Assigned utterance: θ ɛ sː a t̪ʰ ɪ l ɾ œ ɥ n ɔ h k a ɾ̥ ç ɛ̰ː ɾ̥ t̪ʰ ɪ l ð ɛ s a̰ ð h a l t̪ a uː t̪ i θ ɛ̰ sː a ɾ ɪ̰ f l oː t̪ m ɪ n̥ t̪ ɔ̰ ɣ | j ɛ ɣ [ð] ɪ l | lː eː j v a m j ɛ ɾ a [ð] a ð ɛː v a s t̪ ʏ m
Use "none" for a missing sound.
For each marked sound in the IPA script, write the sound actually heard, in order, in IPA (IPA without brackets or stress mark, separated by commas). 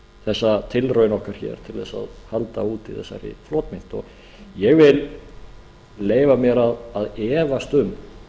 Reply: v, ð